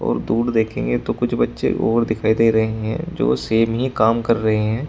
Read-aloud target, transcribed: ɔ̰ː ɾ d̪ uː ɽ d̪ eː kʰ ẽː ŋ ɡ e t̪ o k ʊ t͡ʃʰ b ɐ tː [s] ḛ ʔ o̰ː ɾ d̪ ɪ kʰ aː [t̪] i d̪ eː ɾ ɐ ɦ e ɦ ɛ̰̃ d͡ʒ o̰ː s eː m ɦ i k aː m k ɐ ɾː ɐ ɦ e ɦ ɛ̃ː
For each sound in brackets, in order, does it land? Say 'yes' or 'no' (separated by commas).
no, no